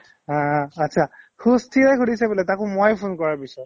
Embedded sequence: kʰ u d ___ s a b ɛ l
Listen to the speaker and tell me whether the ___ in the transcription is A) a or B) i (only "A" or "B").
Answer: B